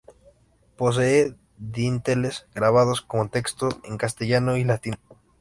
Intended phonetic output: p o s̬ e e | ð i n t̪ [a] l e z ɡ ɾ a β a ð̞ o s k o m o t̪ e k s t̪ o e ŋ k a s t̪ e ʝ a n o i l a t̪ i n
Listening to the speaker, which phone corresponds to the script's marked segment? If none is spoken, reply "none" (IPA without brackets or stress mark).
e